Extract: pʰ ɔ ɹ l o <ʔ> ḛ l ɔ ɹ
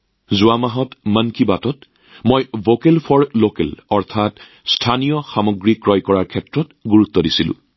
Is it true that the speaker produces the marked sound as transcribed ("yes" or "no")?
no